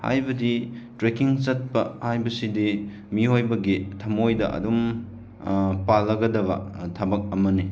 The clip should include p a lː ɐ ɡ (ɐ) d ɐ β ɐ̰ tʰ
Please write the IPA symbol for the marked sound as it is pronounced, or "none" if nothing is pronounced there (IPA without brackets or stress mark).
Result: ɐ